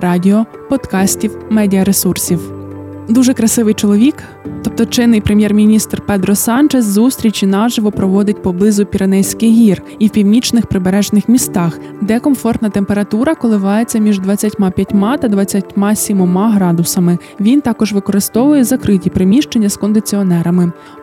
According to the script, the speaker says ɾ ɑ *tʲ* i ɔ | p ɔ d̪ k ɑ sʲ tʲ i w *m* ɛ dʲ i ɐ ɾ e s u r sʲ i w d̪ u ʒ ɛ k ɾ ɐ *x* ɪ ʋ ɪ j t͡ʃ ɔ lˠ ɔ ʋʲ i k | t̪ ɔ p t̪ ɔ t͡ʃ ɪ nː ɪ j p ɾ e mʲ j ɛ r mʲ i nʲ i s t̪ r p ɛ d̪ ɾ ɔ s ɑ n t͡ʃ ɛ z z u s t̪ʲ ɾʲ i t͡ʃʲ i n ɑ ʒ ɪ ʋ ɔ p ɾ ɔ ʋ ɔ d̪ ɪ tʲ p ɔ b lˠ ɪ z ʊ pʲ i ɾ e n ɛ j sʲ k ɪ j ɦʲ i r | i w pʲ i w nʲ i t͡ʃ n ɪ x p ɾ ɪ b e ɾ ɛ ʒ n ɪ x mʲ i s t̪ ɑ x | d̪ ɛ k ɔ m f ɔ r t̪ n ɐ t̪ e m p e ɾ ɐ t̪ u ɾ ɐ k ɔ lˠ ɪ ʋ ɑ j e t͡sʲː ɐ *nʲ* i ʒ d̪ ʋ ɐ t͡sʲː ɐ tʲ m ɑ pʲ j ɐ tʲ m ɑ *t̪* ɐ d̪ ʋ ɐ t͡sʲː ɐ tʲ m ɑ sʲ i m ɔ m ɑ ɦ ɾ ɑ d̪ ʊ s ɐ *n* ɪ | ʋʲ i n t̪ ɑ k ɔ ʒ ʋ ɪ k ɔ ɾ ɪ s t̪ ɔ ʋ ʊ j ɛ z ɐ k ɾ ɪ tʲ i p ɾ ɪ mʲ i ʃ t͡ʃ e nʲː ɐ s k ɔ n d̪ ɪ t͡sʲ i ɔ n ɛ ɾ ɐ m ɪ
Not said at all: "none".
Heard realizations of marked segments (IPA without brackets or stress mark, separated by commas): dʲ, m, s, mʲ, t̪, m